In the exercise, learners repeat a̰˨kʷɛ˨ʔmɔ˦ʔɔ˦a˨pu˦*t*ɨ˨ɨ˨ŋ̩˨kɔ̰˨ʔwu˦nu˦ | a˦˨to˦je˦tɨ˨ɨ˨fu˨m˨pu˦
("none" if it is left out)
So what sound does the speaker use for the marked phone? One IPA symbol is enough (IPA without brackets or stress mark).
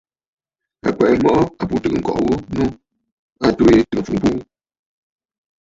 t